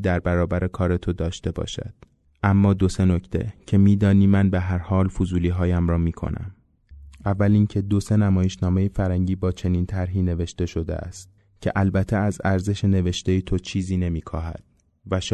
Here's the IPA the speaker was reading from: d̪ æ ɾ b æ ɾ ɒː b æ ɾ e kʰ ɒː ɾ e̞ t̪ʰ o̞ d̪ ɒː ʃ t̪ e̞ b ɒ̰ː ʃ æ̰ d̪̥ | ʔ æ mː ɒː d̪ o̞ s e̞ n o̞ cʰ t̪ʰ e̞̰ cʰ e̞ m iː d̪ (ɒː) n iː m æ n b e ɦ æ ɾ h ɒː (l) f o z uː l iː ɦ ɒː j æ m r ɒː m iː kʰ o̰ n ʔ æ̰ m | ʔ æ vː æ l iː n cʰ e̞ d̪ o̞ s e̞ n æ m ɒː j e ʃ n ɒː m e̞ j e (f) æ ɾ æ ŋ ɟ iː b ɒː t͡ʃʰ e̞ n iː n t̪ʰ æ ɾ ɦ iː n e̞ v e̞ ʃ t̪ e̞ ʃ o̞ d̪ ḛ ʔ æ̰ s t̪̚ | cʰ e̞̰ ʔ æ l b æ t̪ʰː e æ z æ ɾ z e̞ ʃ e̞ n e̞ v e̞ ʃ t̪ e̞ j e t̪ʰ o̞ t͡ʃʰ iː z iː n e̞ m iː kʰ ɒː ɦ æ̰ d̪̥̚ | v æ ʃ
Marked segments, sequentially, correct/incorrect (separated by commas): correct, correct, correct